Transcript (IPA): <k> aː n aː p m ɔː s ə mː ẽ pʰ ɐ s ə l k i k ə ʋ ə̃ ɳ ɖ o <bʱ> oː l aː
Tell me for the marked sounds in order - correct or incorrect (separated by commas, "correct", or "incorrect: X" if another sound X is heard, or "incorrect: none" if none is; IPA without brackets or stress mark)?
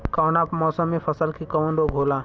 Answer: correct, incorrect: ɡʱ